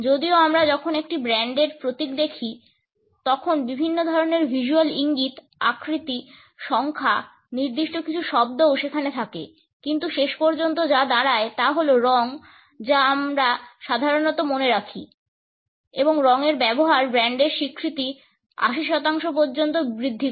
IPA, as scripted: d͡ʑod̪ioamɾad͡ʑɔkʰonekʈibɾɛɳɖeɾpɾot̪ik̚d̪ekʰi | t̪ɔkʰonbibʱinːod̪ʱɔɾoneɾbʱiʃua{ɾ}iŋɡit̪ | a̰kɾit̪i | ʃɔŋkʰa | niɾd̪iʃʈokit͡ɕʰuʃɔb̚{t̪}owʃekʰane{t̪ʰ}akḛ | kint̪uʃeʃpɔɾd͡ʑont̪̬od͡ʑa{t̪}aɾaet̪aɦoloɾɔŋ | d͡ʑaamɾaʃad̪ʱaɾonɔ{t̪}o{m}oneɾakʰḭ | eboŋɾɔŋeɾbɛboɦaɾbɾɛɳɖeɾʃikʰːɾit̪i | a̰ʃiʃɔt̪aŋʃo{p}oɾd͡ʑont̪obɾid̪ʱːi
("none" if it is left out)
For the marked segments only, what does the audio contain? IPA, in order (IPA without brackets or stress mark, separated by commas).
l, d̪, t̪ʰ, d̪, t̪, m, p